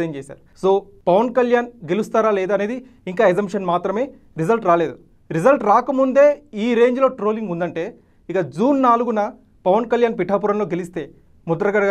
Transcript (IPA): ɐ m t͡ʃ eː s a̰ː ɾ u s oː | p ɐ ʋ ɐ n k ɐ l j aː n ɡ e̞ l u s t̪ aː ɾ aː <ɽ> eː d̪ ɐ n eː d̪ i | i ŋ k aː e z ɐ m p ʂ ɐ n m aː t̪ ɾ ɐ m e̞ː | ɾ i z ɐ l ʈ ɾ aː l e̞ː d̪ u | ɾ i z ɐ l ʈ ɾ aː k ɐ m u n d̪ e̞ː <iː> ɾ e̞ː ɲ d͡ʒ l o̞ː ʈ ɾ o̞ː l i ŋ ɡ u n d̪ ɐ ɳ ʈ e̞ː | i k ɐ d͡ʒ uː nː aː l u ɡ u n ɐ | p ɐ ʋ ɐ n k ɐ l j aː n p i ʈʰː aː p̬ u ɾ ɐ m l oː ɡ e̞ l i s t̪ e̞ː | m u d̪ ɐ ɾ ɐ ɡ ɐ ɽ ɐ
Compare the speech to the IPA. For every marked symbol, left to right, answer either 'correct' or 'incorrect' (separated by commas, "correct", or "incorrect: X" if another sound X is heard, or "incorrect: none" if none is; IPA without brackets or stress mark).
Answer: incorrect: l, correct